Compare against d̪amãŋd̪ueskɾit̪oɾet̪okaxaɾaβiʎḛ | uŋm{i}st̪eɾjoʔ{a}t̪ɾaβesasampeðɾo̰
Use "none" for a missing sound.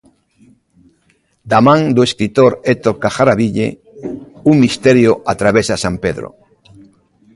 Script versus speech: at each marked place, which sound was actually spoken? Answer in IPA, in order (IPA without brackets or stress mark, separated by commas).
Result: i, a